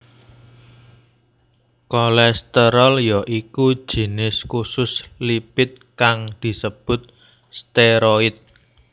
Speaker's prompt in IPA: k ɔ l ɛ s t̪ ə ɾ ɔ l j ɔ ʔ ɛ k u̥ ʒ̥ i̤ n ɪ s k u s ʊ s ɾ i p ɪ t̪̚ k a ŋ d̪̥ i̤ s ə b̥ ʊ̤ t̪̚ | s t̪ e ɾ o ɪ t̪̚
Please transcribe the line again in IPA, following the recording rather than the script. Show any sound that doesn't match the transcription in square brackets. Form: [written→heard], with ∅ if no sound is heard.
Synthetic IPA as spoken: k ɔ l ɛ s t̪ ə ɾ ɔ l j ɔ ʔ [ɛ→i] k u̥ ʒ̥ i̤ n ɪ s k u s ʊ s [ɾ→l] i p ɪ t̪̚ k a ŋ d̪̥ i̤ s ə b̥ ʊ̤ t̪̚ | s t̪ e ɾ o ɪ t̪̚